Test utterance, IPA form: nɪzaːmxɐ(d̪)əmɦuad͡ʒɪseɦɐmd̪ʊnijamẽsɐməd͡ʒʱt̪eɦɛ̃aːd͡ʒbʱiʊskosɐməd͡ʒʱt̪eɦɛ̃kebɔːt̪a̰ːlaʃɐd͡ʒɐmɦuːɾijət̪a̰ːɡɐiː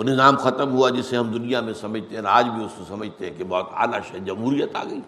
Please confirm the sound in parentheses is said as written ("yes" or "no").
no